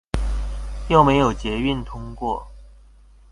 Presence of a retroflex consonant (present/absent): absent